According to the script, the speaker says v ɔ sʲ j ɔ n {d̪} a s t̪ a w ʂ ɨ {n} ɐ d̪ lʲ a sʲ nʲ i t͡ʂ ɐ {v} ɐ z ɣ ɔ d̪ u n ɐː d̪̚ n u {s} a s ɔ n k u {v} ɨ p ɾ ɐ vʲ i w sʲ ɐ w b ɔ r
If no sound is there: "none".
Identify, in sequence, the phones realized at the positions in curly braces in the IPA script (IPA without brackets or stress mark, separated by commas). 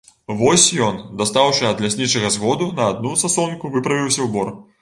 d̪, none, ɣ, s, v